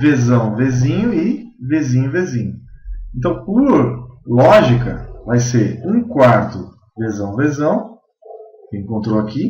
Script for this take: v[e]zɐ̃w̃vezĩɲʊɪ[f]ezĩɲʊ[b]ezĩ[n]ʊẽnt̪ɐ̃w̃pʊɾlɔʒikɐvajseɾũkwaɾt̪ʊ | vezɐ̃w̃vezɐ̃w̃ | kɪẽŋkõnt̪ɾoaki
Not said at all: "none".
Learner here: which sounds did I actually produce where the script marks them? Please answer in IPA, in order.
e, v, v, ɲ

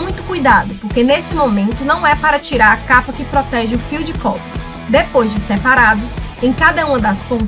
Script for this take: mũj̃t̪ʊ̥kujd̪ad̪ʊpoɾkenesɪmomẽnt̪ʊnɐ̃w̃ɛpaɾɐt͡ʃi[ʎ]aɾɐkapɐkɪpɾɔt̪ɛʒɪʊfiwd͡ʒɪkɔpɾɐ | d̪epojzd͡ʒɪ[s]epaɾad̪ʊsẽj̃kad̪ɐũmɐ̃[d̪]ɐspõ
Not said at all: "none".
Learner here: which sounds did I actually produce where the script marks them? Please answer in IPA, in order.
ɾ, s, d̪

